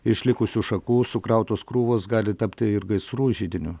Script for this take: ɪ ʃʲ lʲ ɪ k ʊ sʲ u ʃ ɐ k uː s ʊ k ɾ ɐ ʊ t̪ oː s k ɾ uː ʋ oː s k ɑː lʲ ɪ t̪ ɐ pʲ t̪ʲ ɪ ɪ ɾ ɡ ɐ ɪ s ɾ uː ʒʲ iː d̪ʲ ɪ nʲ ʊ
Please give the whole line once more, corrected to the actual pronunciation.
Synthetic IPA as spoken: ɪ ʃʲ lʲ ɪ k ʊ sʲ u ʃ ɐ k uː s ʊ k ɾ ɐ ʊ t̪ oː s k ɾ uː ʋ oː s ɡ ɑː lʲ ɪ t̪ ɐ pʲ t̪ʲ ɪ ɪ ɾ ɡ ɐ ɪ s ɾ uː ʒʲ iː d̪ʲ ɪ nʲ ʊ